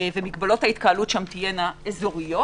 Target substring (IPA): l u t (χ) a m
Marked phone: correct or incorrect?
incorrect